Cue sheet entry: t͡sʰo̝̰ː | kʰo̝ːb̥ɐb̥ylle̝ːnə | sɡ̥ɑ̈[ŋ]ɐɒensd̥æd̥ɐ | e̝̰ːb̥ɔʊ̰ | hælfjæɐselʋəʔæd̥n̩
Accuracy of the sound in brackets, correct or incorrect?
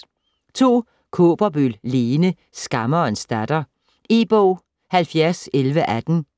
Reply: incorrect